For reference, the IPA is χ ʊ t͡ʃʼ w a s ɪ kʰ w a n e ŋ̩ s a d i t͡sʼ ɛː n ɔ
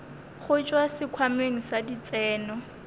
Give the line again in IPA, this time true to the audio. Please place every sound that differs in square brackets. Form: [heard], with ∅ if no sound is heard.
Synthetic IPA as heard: χ ʊ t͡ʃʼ w a s ɪ kʰ w a [m] e ŋ̩ s a d i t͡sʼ ɛː n ɔ